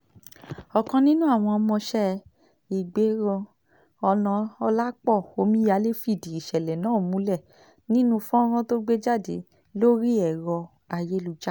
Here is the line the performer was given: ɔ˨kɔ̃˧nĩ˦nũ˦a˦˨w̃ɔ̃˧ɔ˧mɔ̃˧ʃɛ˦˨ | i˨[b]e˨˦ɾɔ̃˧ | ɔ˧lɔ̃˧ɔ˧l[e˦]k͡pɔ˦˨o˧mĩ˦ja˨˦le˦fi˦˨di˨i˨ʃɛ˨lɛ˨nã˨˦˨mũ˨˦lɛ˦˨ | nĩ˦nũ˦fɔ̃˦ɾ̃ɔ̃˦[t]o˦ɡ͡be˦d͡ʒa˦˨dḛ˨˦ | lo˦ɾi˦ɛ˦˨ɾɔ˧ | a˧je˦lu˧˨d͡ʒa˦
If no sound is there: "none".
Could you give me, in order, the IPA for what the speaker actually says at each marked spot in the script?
ɡ͡b, a˦, t

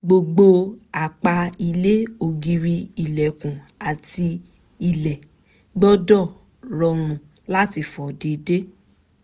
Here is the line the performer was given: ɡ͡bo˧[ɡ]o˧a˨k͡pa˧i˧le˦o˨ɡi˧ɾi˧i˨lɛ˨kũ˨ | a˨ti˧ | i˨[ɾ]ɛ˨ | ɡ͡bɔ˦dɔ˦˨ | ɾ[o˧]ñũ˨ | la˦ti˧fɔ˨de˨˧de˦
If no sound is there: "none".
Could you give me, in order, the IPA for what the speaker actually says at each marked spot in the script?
ɡ͡b, l, ɔ˧

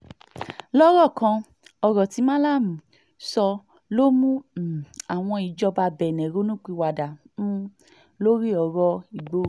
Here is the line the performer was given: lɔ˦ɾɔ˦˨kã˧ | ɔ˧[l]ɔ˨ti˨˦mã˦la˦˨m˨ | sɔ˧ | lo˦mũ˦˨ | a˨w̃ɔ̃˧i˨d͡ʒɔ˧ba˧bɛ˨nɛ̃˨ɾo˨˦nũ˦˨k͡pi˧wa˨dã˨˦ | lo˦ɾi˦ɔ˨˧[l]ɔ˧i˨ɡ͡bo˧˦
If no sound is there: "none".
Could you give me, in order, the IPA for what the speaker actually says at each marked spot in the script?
ɾ, ɾ

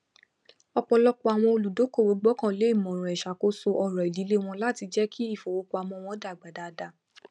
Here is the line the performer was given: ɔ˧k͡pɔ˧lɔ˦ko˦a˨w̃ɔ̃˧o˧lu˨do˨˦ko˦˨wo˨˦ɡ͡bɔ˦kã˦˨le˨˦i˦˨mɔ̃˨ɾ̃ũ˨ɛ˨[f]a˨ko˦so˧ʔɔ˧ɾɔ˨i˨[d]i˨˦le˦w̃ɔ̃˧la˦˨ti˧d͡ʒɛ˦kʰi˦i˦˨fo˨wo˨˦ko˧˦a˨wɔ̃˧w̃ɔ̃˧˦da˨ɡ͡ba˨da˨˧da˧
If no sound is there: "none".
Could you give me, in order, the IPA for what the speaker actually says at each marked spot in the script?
ʃ, d

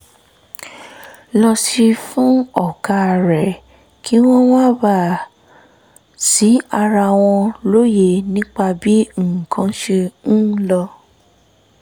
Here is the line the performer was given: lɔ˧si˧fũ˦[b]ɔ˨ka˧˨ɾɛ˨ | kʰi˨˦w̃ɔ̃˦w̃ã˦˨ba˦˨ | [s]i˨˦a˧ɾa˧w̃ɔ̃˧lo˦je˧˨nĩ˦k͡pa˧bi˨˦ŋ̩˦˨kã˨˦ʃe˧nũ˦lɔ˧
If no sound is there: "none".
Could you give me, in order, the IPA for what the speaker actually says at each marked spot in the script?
none, s

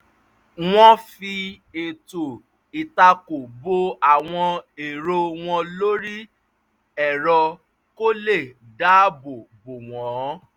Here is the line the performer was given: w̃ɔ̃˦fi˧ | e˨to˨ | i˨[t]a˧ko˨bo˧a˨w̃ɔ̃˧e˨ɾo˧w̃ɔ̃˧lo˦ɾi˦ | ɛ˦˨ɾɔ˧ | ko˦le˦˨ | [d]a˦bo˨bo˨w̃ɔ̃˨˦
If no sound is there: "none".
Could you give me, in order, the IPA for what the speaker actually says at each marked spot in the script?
t, d

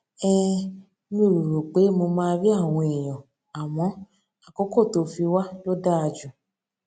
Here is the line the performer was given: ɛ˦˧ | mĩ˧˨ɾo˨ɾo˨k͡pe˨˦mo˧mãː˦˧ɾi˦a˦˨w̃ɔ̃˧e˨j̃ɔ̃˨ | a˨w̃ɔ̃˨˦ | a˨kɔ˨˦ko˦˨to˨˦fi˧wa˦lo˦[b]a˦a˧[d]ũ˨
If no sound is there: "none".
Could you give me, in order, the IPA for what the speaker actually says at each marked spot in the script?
d, d͡ʒ

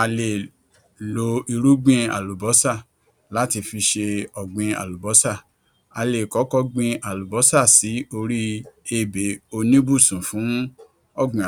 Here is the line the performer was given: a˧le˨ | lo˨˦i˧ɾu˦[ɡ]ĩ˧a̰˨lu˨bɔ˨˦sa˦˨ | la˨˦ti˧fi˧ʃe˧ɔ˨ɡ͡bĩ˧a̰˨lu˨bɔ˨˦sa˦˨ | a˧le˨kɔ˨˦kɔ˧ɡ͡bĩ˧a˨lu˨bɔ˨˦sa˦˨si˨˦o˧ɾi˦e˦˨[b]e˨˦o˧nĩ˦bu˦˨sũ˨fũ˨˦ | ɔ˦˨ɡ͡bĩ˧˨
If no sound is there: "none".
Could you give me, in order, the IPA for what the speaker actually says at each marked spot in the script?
ɡ͡b, b

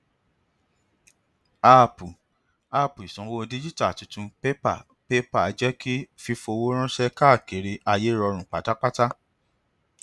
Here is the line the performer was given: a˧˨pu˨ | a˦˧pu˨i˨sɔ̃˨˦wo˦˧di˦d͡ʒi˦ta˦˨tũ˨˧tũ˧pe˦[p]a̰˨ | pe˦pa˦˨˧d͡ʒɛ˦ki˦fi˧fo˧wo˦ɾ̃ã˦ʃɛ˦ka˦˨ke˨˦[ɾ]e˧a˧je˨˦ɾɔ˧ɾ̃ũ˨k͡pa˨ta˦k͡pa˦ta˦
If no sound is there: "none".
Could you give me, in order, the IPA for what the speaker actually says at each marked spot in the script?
p, ɾ

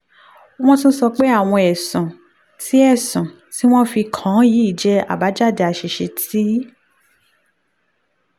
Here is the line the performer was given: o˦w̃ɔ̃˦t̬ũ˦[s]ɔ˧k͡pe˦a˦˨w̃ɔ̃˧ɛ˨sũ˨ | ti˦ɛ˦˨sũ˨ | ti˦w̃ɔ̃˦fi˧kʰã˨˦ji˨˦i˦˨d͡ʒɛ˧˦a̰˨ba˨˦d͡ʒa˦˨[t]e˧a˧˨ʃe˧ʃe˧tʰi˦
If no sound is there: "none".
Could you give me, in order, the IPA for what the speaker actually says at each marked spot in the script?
s, d

